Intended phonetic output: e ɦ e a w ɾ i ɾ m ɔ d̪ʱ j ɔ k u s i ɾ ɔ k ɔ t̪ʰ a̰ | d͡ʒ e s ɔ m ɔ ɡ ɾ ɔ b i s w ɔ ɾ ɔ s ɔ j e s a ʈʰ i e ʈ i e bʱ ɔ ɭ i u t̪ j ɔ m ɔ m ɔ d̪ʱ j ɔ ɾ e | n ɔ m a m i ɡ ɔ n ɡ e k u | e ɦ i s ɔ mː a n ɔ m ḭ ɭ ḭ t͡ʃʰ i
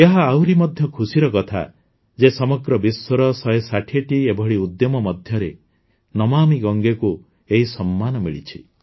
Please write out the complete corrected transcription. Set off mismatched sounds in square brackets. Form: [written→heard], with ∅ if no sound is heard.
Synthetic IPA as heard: e ɦ [e→a] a w ɾ i [ɾ→∅] m ɔ d̪ʱ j ɔ [k→kʰ] u s i ɾ ɔ k ɔ t̪ʰ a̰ | d͡ʒ e s ɔ m ɔ ɡ ɾ ɔ b i s w ɔ ɾ ɔ s ɔ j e s a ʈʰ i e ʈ i e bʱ ɔ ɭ i u [t̪→d̪] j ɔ m ɔ m ɔ d̪ʱ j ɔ ɾ e | n ɔ m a m i ɡ ɔ [n→ŋ] ɡ e k u | e ɦ i s ɔ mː a n ɔ m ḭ ɭ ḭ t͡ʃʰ i